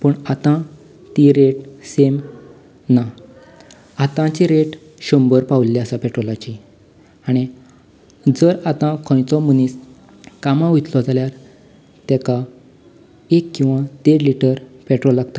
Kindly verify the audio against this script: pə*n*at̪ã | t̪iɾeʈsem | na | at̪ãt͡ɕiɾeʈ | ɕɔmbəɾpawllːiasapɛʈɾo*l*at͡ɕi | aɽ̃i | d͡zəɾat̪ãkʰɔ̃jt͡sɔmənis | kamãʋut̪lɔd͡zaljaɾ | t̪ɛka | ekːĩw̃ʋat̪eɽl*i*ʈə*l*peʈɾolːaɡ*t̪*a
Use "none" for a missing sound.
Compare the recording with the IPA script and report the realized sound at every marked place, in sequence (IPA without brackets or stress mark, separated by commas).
ɳ, l, i, ɾ, t̪